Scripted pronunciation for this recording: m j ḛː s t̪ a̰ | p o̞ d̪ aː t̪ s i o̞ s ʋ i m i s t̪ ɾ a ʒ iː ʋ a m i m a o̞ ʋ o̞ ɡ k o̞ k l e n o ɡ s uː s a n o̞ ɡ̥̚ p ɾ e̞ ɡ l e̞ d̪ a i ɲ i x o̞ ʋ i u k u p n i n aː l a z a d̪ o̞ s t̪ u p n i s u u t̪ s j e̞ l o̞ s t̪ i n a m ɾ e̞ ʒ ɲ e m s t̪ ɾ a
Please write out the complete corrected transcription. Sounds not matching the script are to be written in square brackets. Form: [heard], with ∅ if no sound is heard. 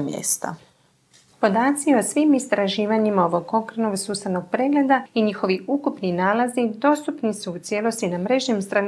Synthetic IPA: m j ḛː s t̪ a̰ | p o̞ d̪ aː t̪ s i o̞ s ʋ i m i s t̪ ɾ a ʒ iː ʋ a [ɲ] i m a o̞ ʋ o̞ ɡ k o̞ k [ɾ] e n o ɡ s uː s a n o̞ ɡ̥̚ p ɾ e̞ ɡ l e̞ d̪ a i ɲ i x o̞ ʋ i u k u p n i n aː l a z [i] d̪ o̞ s t̪ u p n i s u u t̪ s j e̞ l o̞ s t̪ i n a m ɾ e̞ ʒ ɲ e m s t̪ ɾ a